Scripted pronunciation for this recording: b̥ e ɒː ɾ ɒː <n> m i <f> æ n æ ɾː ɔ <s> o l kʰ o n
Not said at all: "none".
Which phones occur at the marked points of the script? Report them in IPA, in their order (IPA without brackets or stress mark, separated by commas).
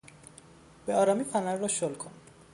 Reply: none, f, ʃ